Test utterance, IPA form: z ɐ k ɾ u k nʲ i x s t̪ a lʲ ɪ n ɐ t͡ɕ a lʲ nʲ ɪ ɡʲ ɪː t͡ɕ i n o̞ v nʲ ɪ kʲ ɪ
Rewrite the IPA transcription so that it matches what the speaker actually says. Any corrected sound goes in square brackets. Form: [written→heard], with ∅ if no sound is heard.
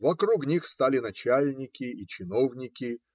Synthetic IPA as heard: [z→v] ɐ k ɾ u k nʲ i x s t̪ a lʲ ɪ n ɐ t͡ɕ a lʲ nʲ ɪ [ɡʲ→kʲ] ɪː t͡ɕ [i→ɪ] n o̞ v nʲ ɪ kʲ ɪ